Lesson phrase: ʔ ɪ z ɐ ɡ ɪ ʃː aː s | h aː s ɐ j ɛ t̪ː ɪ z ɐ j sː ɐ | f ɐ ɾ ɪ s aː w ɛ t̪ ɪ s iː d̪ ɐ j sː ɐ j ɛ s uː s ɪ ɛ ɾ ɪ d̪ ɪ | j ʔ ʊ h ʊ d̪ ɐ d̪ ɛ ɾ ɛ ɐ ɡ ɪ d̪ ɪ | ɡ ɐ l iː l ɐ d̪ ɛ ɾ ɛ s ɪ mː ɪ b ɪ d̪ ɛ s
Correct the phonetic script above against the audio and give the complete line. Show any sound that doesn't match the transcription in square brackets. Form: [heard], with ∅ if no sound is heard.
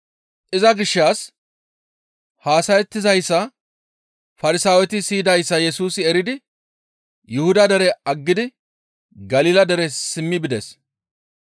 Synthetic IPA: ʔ ɪ z ɐ ɡ ɪ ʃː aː s | h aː s ɐ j ɛ t̪ː ɪ z ɐ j sː ɐ | f ɐ ɾ ɪ s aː w ɛ t̪ ɪ s iː d̪ ɐ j sː ɐ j ɛ s uː s ɪ ɛ ɾ ɪ d̪ ɪ | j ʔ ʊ h ʊ d̪ ɐ d̪ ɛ ɾ ɛ ɐ [ɡː] ɪ d̪ ɪ | ɡ ɐ l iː l ɐ d̪ ɛ ɾ ɛ s ɪ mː ɪ b ɪ d̪ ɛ s

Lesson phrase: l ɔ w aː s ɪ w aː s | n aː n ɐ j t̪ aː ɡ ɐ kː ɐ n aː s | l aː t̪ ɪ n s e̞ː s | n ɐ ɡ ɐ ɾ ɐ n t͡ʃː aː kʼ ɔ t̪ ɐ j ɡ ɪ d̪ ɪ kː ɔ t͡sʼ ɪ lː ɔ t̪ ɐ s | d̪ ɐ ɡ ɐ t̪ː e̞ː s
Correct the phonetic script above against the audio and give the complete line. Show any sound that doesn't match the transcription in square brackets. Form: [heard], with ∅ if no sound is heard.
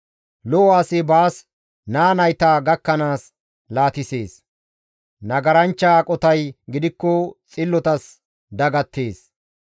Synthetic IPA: l ɔ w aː s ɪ [b] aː s | n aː n ɐ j t̪ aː ɡ ɐ kː ɐ n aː s | l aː t̪ ɪ [∅] s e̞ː s | n ɐ ɡ ɐ ɾ ɐ n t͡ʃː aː kʼ ɔ t̪ ɐ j ɡ ɪ d̪ ɪ kː ɔ t͡sʼ ɪ lː ɔ t̪ ɐ s | d̪ ɐ ɡ ɐ t̪ː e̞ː s

